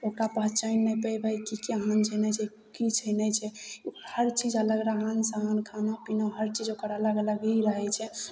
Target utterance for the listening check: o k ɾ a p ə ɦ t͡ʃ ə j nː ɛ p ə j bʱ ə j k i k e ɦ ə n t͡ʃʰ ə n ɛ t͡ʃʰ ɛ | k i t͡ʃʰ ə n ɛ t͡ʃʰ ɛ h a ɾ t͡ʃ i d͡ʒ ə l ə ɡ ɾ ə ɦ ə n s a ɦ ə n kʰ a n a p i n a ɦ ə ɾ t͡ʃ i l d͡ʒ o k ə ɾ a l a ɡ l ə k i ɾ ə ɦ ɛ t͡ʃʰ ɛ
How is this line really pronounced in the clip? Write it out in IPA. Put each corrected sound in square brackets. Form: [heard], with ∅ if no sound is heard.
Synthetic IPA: o k ɾ a p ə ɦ t͡ʃ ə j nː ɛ p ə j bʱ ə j k i k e ɦ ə n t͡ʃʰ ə n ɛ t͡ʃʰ ɛ | k i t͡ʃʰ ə n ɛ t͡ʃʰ ɛ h [ə] ɾ t͡ʃ i d͡ʒ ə l ə ɡ ɾ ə ɦ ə n s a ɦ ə n kʰ a n a p i n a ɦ ə ɾ t͡ʃ i [∅] d͡ʒ o k ə ɾ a l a ɡ l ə [ɡ] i ɾ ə ɦ ɛ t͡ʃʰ ɛ